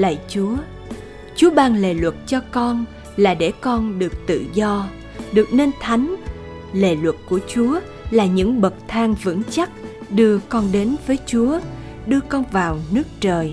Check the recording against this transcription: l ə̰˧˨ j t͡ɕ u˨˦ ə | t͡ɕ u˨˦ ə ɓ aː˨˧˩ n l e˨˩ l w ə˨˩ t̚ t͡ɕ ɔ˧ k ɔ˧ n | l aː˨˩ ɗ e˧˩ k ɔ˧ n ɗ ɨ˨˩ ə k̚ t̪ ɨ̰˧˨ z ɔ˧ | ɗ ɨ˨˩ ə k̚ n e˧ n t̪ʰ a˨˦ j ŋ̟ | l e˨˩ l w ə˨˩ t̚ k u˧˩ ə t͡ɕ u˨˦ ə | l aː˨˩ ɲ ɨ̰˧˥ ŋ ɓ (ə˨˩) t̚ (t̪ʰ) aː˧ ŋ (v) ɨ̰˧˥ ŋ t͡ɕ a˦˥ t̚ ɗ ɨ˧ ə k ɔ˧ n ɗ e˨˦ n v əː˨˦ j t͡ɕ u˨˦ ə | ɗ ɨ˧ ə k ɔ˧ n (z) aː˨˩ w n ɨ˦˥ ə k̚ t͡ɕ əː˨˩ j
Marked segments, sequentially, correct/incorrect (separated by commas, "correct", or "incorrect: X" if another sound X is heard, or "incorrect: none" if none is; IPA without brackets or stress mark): correct, correct, correct, incorrect: v